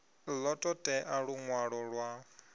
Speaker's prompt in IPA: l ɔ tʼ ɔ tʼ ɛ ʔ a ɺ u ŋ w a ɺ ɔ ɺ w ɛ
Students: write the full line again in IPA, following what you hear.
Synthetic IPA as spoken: l ɔ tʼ ɔ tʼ ɛ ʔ a ɺ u ŋ w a ɺ ɔ ɺ w a